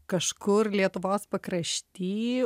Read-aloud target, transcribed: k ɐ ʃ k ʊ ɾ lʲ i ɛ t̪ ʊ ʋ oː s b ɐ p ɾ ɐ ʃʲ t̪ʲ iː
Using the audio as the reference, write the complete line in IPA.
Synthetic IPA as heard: k ɐ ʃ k ʊ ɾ lʲ i ɛ t̪ ʊ ʋ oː s p ɐ k ɾ ɐ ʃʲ t̪ʲ iː